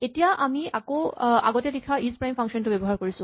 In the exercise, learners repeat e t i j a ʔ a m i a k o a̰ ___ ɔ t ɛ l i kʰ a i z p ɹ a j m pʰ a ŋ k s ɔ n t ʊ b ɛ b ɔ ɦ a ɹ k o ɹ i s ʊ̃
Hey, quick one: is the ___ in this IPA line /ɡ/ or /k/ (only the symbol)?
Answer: ɡ